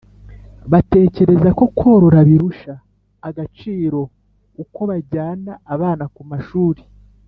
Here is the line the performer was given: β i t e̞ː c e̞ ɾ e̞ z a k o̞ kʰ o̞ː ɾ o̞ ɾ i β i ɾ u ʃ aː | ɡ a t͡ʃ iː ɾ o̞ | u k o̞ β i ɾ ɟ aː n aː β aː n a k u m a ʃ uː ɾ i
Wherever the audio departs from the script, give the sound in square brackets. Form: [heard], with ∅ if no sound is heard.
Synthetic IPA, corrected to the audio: β [a] t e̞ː c e̞ ɾ e̞ z a k o̞ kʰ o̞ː ɾ o̞ ɾ [a] β i ɾ u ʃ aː | ɡ a t͡ʃ iː ɾ o̞ | u k o̞ β [a] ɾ ɟ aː n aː β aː n a k u m a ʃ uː ɾ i